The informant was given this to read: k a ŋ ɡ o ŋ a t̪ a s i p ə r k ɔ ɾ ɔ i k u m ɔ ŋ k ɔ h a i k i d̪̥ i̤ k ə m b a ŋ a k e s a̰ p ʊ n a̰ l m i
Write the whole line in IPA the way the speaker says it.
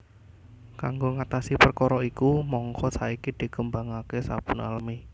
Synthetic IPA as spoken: k a ŋ ɡ o ŋ a t̪ a s i p ə r k ɔ ɾ ɔ i k u m ɔ ŋ k ɔ s a i k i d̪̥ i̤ k ə m b a ŋ a k e s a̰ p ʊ n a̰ l m i